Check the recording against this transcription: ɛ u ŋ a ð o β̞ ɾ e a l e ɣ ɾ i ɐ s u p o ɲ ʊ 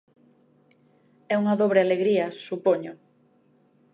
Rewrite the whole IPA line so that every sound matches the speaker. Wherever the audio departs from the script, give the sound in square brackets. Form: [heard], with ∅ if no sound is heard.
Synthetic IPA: ɛ u ŋ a ð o β̞ ɾ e a l e ɣ ɾ i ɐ s u p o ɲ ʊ